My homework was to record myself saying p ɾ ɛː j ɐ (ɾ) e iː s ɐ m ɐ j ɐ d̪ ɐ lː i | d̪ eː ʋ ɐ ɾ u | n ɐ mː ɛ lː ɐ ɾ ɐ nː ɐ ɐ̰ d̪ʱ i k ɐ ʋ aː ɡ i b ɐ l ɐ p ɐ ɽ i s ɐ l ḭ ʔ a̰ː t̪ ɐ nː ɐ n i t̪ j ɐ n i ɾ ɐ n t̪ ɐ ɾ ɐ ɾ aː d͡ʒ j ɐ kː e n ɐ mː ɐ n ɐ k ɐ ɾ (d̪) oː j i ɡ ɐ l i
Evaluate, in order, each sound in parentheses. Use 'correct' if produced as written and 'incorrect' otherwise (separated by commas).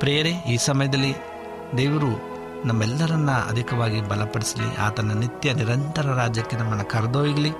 correct, correct